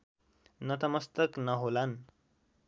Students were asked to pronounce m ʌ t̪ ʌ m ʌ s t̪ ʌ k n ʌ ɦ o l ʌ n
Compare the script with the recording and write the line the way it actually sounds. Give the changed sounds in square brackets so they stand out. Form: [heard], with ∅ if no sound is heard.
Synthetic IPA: [n] ʌ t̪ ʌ m ʌ s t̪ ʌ k n ʌ ɦ o l [a] n